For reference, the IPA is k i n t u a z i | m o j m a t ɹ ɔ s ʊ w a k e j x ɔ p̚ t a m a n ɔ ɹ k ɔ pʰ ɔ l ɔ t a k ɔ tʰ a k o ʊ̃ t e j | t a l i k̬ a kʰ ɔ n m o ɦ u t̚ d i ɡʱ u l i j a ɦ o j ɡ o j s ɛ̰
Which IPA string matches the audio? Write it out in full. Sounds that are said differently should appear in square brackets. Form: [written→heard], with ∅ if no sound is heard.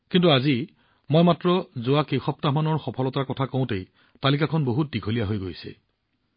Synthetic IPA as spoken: k i n t u a z i | m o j m a t ɹ ɔ [s→z] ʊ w a k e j x ɔ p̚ t a m a n ɔ ɹ [k→x] ɔ pʰ ɔ l ɔ t a k ɔ tʰ a k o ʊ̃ t e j | t a l i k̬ a kʰ ɔ n [m→b] o ɦ u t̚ d i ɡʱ [u→o] l i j a ɦ o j ɡ o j s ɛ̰